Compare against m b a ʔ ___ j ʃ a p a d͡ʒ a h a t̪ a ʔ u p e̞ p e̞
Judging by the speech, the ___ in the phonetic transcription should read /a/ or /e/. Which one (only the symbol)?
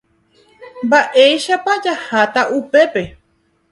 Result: e